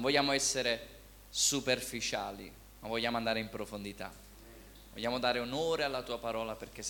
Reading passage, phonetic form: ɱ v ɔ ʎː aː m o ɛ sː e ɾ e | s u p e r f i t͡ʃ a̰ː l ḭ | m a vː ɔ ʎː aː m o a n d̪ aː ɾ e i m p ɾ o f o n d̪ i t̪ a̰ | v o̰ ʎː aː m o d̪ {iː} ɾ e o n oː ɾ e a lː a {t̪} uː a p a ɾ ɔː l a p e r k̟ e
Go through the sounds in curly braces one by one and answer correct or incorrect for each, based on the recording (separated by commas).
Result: incorrect, correct